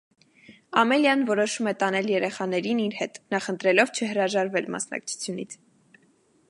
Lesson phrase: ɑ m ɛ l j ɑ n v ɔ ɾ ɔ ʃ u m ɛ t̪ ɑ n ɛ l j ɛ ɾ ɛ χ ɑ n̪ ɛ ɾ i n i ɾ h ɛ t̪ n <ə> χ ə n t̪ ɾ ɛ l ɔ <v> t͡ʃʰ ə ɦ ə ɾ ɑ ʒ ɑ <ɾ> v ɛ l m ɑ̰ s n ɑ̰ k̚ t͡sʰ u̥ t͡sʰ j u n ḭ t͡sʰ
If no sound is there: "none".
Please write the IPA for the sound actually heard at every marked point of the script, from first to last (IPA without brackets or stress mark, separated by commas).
ɑ, v, ɾ